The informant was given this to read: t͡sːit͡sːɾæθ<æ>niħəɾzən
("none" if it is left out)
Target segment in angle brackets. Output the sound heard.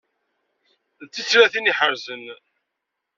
i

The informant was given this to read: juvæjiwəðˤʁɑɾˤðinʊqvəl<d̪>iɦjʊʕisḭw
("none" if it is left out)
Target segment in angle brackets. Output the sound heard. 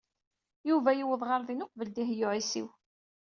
d̪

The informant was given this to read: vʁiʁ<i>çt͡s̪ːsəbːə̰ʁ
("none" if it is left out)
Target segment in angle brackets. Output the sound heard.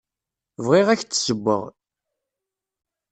æ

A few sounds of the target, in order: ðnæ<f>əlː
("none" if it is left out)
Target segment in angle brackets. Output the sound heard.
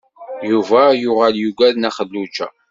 χ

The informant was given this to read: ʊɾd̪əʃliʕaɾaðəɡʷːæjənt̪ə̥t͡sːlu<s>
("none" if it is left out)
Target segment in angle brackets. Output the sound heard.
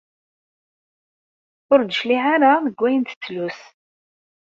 s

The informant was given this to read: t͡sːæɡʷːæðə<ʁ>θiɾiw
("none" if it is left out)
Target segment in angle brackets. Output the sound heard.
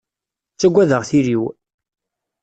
ʁ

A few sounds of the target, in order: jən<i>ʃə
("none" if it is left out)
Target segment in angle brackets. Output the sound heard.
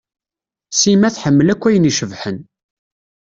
i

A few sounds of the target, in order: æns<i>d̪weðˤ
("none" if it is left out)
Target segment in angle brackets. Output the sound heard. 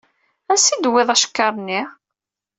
i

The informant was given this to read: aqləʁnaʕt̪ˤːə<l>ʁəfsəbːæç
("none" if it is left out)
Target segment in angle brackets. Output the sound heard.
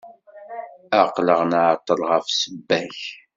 l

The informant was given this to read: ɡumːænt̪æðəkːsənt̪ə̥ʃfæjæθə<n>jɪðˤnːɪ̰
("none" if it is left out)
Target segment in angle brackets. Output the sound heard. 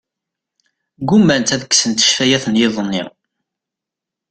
n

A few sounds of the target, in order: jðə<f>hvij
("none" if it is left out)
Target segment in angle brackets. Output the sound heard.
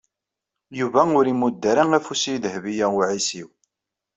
none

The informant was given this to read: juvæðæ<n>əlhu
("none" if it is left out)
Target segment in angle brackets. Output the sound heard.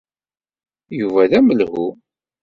m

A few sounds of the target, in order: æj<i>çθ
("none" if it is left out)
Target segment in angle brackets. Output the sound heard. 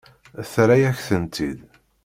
æ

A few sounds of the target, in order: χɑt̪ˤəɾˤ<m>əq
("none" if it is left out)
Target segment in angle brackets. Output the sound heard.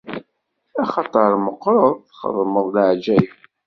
m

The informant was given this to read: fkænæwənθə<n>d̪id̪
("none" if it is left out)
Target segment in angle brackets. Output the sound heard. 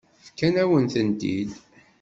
n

